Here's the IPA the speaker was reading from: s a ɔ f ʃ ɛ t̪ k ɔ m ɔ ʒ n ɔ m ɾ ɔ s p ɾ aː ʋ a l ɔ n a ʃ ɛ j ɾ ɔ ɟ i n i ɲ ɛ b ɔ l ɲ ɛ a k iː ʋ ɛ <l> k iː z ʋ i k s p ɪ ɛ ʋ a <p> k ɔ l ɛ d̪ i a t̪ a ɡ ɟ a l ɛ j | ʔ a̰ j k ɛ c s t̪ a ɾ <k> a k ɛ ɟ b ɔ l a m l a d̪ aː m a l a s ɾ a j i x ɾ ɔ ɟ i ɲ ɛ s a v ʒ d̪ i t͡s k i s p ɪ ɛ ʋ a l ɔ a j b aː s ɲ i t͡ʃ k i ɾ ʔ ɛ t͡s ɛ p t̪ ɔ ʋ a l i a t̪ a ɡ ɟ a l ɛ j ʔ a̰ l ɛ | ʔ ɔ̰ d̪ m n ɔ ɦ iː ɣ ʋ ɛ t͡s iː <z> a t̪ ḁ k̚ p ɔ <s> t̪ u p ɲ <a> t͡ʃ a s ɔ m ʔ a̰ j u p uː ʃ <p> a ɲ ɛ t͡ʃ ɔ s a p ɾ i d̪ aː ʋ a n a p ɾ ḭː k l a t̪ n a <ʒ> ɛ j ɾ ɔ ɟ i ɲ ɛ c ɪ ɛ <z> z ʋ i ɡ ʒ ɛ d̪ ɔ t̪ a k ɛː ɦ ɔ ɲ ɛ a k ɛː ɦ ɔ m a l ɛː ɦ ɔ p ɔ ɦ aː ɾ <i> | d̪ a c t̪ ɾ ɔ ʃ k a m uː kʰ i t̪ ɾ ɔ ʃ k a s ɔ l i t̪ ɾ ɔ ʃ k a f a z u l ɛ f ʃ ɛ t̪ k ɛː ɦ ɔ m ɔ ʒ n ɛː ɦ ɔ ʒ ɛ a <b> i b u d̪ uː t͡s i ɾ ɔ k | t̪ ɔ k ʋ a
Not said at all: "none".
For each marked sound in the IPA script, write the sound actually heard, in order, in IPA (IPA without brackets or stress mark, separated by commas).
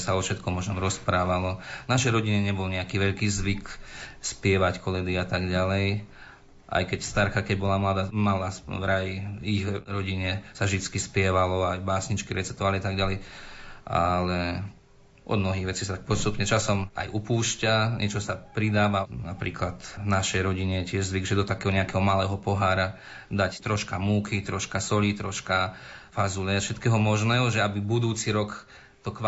ʎ, c, k, s, s, ɛ, c, ʃ, ʒ, a, b